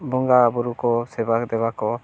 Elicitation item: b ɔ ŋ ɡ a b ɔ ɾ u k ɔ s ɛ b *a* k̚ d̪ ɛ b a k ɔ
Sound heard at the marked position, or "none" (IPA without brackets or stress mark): a